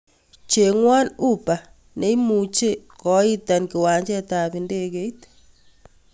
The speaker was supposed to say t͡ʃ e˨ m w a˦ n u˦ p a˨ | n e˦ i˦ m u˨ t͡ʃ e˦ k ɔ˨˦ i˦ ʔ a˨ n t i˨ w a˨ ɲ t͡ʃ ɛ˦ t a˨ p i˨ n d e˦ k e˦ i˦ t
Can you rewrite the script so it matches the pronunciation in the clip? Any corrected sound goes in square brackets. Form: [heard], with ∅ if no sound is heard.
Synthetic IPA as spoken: t͡ʃ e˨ [ŋ] w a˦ n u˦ p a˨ | n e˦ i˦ m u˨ t͡ʃ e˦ k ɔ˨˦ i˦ [t] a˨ n [k] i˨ w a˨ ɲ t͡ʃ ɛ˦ t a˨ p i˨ n d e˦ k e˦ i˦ t